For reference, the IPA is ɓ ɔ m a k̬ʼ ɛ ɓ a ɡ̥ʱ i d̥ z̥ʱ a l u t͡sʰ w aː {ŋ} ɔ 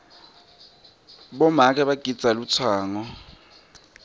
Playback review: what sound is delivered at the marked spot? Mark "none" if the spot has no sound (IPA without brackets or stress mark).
ŋ